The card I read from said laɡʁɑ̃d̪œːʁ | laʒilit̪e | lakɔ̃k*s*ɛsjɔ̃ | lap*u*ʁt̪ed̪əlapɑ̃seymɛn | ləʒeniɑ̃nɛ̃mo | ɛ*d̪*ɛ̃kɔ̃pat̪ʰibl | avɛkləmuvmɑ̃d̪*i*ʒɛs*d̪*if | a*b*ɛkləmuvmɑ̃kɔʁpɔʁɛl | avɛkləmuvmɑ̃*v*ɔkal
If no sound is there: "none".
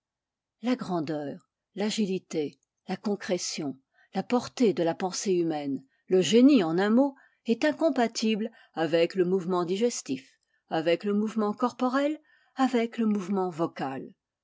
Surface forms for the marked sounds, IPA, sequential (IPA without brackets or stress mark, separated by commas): χ, ɔ, t̪, i, t̪, v, v